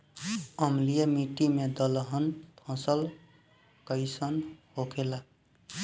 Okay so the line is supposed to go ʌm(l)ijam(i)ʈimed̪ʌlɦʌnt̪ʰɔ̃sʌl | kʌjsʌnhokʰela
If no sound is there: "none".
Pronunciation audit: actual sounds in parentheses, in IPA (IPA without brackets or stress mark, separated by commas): l, i